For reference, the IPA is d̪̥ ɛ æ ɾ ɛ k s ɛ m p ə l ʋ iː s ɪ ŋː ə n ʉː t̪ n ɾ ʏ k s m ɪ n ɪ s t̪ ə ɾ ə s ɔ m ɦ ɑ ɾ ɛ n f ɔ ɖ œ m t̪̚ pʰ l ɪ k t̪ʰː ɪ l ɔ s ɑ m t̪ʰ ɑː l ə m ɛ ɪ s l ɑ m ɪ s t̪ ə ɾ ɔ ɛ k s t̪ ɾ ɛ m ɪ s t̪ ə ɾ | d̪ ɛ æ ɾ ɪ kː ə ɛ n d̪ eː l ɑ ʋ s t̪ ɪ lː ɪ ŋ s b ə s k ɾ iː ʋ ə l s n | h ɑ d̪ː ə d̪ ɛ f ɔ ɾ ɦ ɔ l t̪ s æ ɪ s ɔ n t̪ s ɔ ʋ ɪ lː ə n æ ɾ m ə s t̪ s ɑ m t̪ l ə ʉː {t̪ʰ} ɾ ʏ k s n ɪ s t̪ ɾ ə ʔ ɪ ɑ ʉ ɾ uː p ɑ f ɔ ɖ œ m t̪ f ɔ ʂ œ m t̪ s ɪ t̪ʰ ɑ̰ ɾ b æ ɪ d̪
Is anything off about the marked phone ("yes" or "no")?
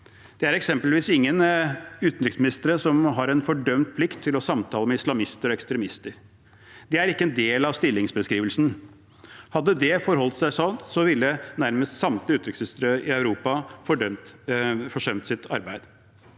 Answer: yes